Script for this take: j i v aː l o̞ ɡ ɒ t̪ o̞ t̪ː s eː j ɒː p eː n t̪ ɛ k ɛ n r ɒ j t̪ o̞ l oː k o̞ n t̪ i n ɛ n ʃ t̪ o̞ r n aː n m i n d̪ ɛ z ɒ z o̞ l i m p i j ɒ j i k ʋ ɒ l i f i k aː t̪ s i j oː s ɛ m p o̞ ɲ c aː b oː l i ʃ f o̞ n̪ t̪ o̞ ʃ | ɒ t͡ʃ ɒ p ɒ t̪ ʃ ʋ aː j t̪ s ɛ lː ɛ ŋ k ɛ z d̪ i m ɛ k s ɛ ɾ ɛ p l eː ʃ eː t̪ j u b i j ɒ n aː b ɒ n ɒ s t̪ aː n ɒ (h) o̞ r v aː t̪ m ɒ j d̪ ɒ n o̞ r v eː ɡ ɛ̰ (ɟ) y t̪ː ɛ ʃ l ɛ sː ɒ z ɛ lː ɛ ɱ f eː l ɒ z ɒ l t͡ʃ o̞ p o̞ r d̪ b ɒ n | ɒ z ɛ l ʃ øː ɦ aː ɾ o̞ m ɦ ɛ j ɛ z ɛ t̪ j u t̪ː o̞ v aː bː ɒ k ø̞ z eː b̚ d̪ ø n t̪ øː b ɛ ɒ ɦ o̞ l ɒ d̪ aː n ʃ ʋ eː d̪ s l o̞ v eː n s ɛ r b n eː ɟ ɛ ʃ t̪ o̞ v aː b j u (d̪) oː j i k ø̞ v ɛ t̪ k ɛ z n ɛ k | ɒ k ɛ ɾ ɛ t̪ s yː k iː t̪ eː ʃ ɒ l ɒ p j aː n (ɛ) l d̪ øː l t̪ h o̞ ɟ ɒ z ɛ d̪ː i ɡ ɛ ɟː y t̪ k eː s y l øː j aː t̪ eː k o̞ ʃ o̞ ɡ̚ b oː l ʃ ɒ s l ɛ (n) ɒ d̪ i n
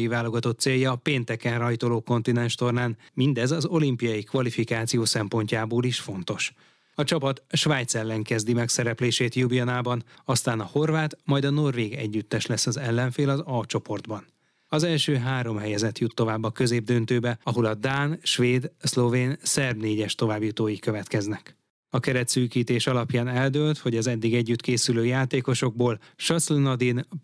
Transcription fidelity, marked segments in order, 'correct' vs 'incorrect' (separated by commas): correct, incorrect, incorrect, correct, correct